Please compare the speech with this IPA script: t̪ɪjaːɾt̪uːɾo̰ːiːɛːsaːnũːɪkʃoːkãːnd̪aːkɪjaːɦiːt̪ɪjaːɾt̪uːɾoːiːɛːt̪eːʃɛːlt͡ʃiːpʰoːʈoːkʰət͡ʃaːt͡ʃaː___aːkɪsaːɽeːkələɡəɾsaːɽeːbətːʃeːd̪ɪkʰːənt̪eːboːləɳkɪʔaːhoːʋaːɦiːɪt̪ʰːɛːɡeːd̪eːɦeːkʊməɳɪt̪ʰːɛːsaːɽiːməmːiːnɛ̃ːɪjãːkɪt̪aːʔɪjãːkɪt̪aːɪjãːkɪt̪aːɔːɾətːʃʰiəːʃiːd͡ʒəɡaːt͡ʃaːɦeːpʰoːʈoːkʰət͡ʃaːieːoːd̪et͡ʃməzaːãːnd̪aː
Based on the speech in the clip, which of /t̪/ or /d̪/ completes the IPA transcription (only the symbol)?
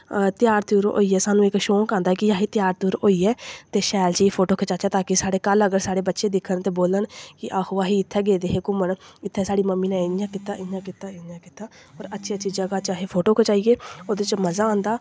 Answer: t̪